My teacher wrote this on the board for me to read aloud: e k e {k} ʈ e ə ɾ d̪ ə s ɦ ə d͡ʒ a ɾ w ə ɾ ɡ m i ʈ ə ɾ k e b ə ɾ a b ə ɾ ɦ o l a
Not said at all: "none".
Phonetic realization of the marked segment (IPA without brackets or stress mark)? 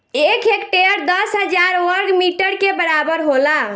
k